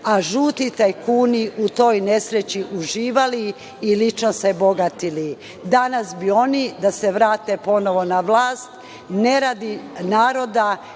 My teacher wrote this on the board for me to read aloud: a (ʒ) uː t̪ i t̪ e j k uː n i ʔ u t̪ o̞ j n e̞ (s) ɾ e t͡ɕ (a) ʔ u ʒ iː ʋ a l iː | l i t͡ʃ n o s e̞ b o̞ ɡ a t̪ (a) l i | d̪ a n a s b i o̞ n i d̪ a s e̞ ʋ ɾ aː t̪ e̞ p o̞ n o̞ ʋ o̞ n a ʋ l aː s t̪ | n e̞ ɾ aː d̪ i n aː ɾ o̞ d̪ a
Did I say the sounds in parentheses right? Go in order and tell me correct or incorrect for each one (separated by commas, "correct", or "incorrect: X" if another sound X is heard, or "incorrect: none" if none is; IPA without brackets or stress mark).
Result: correct, correct, incorrect: i, incorrect: i